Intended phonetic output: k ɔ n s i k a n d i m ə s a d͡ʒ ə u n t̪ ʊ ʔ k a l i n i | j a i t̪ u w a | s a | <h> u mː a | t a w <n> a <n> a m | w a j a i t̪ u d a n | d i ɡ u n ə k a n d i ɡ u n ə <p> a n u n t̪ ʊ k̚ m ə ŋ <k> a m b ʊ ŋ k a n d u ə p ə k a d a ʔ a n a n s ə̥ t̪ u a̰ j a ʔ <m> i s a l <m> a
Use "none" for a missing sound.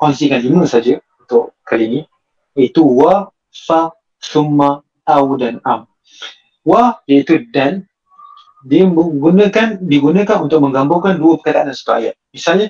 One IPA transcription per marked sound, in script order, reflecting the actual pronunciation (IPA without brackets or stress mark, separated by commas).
s, d, n, k, ɡ, m, ɲ